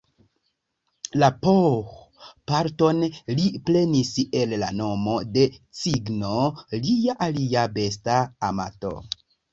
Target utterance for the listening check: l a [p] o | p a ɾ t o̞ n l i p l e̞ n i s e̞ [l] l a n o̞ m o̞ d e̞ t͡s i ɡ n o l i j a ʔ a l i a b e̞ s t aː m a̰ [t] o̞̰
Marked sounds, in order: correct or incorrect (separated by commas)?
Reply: correct, correct, correct